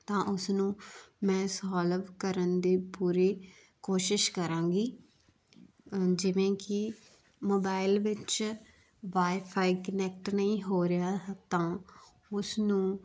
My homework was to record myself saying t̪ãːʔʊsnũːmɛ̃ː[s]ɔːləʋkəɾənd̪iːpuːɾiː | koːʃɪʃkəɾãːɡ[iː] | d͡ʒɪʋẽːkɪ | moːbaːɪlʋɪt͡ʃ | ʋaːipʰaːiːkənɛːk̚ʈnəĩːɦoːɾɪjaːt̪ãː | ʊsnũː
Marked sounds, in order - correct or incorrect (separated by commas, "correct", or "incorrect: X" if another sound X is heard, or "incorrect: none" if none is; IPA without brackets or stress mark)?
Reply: correct, correct